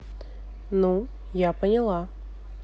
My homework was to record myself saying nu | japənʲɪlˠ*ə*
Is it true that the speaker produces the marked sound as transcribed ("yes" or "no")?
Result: no